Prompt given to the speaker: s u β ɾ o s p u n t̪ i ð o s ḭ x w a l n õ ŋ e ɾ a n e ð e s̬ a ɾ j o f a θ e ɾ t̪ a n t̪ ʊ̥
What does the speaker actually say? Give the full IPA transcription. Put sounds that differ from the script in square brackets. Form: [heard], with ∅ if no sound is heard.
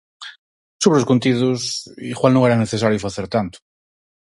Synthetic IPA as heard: s u β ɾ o s [k] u n t̪ i ð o s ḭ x w a l n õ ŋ e ɾ a n e [θ] e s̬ a ɾ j o f a θ e ɾ t̪ a n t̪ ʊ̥